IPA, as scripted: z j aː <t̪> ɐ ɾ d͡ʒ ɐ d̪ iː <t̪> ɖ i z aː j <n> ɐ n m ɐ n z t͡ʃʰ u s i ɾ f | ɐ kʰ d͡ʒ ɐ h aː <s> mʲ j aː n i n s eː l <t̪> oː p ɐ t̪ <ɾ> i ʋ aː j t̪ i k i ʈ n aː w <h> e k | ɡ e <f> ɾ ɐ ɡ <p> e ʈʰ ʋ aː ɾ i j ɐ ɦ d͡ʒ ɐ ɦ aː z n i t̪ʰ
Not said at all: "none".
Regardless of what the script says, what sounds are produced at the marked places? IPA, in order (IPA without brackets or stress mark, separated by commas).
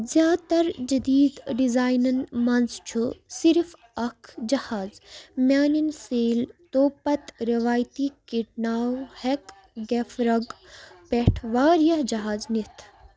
t̪, d̪, n, z, t̪, ɾ, h, f, p